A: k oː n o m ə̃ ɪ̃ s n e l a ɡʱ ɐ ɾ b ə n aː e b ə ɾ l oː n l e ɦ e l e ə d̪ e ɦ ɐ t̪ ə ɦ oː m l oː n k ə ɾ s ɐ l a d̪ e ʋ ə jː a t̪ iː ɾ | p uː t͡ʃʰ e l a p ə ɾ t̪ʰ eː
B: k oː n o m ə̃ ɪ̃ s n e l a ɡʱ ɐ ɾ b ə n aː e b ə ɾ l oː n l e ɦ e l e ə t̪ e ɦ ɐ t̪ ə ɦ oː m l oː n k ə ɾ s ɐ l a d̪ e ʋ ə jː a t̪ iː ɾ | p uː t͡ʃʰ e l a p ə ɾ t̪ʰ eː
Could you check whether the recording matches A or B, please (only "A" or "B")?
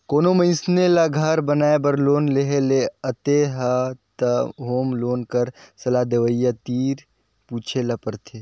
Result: B